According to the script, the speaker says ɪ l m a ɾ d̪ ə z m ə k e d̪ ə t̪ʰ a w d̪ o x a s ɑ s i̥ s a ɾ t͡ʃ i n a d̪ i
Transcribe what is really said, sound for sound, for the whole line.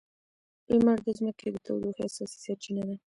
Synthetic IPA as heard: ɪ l m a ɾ d̪ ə z m ə k e d̪ ə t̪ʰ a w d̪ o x a s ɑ s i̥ s a ɾ t͡ʃ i n a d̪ a